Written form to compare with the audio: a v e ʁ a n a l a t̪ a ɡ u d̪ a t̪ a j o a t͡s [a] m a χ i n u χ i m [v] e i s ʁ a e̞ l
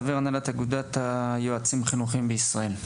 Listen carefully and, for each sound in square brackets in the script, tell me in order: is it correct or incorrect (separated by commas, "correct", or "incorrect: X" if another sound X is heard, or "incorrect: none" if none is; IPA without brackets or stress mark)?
incorrect: i, incorrect: b